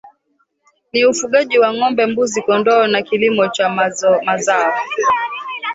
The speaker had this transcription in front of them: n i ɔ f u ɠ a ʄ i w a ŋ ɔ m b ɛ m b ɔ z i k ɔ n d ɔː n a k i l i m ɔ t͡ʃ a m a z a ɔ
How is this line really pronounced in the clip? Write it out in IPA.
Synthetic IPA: n i u f u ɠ a ʄ i w a ŋ ɔ m b ɛ m b u z i k ɔ n d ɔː n a k i l i m ɔ t͡ʃ a m a z a ɔ